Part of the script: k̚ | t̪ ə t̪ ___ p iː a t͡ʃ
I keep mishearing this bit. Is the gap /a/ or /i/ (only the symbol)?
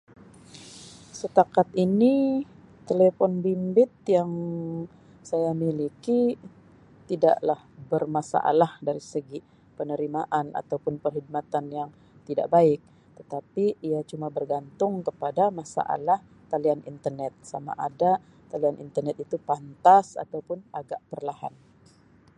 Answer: a